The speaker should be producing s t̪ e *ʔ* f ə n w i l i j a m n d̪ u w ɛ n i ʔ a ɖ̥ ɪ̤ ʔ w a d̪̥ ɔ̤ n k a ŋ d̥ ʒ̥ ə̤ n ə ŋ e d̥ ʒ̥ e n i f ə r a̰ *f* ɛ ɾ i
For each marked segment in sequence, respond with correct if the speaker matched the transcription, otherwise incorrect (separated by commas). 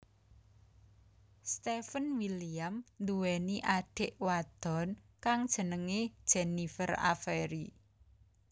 incorrect, correct